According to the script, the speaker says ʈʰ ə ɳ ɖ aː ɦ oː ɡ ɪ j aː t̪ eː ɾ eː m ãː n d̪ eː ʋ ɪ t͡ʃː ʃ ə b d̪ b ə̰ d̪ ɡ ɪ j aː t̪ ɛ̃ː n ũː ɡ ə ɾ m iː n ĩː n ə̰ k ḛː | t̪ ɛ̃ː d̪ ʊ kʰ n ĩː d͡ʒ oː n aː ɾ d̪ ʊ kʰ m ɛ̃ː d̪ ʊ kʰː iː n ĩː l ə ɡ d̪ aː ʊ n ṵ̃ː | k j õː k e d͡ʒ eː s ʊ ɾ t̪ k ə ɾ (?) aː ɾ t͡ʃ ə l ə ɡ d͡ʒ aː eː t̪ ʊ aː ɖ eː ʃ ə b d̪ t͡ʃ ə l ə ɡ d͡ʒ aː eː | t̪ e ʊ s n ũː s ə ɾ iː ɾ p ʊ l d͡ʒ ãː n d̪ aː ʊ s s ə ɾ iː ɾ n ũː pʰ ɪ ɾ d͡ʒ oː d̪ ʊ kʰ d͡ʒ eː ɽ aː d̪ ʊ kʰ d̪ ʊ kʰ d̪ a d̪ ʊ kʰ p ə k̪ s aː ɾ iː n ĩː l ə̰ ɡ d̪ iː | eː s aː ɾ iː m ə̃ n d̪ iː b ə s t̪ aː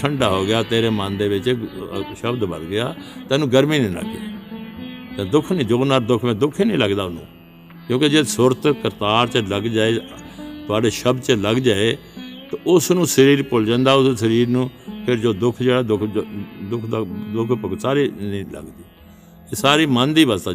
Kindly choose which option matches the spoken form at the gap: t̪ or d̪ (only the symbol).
t̪